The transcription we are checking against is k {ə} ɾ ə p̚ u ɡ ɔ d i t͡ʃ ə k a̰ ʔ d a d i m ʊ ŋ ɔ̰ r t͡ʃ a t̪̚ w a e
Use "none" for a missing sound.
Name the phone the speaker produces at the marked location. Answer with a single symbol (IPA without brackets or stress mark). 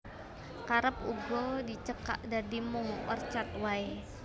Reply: a